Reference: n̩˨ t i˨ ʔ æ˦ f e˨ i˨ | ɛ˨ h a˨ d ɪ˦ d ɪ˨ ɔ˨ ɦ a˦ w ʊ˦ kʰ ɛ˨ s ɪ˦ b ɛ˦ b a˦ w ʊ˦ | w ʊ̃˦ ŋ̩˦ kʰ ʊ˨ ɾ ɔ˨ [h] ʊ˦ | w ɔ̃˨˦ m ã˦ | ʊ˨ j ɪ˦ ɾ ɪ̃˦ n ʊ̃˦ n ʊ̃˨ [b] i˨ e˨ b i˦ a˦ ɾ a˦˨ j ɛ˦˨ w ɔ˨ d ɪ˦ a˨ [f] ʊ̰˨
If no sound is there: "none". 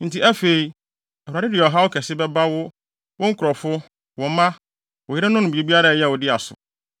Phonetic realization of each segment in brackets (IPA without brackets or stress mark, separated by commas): f, b, s